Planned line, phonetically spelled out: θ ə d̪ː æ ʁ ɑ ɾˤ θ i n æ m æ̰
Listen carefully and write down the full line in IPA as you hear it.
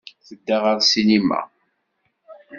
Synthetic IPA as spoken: θ ə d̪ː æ ʁ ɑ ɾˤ s i n i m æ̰

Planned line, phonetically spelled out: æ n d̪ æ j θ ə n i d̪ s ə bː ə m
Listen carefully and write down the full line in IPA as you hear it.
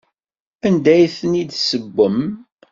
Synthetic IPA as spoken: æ n d̪ æ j θ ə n i d̪ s ə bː ə m

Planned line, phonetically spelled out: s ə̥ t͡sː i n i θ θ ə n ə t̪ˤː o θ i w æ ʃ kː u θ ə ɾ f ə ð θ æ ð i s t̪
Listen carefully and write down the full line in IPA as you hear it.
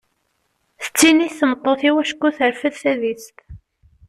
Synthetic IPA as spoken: θ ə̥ t͡sː i n i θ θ ə m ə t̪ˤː o θ i w æ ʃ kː u θ ə ɾ f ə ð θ æ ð i s t̪

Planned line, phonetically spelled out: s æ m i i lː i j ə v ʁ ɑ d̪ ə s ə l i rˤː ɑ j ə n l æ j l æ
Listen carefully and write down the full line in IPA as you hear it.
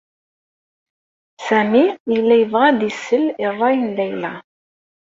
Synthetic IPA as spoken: s æ m i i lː æ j ə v ʁ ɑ d̪ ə s ə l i rˤː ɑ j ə n l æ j l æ

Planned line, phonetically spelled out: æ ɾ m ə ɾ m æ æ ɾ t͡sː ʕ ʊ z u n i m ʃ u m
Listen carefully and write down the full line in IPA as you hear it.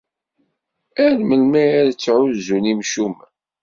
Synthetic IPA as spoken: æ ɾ m ə l m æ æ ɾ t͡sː ʕ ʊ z u n i m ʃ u m

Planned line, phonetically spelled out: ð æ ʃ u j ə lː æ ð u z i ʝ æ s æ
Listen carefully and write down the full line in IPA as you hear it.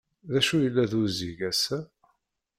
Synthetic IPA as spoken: ð æ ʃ u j ə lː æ ð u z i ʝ æ s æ

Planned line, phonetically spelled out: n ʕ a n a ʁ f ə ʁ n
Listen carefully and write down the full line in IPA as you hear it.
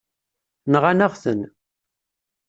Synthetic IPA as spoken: n ʁ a n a ʁ θ ə n

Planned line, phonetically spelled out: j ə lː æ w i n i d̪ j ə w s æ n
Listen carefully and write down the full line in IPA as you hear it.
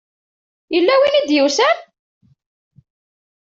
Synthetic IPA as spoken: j ə lː æ w i n i d̪ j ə w s æ n

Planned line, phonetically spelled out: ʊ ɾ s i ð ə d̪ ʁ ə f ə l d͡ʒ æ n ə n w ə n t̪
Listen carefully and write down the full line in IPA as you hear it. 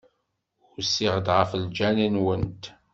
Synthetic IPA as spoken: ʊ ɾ s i ʁ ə d̪ ʁ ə f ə l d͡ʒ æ n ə n w ə n t̪

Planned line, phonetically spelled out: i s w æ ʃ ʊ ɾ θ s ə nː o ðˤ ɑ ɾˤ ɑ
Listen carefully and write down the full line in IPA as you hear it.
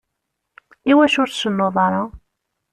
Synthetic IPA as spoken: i w æ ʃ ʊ ɾ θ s ə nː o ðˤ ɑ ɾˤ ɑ

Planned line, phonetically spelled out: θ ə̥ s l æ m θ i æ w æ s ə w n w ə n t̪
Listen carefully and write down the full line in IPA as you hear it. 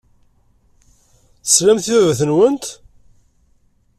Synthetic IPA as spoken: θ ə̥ s l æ m θ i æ v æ θ ə n w ə n t̪

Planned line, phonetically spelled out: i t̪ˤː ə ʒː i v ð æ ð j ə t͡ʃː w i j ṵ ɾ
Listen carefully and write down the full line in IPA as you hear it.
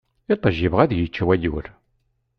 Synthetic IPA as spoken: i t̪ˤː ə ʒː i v ʁ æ ð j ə t͡ʃː w æ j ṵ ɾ

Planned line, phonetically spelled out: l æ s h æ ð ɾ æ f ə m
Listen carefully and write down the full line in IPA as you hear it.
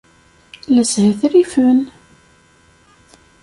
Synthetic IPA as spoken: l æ s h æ θ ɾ i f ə n

